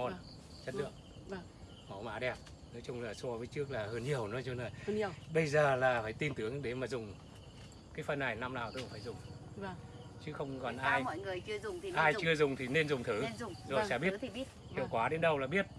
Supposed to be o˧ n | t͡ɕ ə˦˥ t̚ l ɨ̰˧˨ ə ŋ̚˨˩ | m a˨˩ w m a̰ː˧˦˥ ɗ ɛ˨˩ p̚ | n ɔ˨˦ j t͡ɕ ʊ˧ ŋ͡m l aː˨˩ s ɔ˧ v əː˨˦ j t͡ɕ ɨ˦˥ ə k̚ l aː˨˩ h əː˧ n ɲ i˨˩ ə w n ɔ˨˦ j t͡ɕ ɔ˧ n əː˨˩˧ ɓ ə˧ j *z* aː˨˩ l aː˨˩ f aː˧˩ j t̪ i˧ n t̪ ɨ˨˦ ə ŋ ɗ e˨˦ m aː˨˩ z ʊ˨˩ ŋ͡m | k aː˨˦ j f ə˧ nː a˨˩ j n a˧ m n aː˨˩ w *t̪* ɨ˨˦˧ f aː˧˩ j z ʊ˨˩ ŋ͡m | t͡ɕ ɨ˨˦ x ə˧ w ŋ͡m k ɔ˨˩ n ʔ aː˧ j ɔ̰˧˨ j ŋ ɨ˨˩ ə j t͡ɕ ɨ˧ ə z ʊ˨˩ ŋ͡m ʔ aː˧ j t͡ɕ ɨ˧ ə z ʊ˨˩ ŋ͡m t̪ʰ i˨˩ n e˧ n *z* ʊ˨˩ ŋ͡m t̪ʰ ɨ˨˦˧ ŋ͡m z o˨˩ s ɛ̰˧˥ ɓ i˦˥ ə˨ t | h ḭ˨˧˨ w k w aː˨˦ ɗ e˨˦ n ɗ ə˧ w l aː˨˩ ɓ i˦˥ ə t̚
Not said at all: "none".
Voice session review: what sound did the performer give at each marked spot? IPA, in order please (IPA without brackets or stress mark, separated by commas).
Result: z, t̪, z